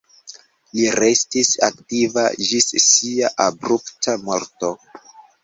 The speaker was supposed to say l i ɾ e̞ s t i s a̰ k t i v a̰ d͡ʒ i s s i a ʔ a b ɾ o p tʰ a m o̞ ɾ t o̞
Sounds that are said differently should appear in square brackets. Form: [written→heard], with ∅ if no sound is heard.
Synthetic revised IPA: l i ɾ e̞ s t i s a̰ k t i v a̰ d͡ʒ i s s i a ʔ a b ɾ [o→u] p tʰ a m o̞ ɾ t o̞